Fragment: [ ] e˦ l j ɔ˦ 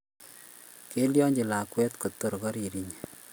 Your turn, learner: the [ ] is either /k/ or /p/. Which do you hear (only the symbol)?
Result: k